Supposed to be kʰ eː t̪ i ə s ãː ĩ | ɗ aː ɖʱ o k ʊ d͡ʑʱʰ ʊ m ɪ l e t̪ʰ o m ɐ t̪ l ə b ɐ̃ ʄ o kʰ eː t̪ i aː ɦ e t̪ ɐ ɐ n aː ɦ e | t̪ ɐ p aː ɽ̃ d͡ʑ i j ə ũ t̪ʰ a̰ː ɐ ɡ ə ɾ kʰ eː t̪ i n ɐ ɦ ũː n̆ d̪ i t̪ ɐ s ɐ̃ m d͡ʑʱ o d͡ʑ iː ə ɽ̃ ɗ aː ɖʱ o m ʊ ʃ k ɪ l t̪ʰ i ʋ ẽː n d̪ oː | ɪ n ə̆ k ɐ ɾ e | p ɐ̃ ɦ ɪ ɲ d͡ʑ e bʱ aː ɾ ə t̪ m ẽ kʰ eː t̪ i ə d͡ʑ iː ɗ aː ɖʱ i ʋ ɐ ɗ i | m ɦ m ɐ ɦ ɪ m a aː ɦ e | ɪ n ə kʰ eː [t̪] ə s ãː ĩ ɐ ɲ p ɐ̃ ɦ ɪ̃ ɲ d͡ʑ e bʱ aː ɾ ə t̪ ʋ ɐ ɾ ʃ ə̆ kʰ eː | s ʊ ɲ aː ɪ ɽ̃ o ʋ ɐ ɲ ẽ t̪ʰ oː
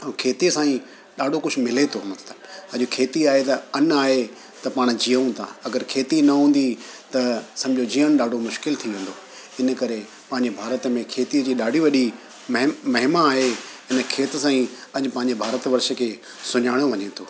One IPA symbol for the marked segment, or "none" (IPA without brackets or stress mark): t̪